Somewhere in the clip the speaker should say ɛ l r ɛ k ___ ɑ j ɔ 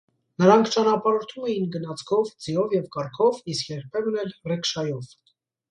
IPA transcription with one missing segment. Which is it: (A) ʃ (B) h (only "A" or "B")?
A